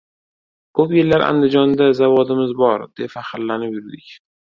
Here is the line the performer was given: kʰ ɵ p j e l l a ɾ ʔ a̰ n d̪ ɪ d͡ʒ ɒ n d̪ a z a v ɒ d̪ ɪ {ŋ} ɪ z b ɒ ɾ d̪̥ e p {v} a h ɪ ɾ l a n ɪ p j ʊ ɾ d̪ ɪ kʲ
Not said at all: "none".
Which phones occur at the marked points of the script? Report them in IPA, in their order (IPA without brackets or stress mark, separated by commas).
m, f